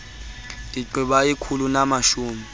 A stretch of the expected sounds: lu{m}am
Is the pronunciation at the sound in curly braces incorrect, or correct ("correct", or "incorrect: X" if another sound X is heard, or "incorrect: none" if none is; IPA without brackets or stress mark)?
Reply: incorrect: n